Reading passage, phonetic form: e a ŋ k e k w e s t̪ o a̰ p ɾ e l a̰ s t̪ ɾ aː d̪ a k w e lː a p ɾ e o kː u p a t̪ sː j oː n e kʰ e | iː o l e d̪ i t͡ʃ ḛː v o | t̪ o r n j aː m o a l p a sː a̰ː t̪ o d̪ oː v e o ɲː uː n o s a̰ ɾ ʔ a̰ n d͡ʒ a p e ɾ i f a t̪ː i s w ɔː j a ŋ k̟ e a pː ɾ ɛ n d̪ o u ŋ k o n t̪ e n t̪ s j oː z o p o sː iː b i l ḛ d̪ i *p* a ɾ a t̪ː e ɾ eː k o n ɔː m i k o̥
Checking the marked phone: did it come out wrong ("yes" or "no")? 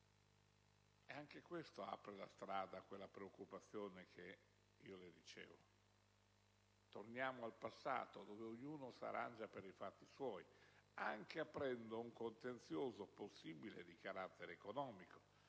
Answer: yes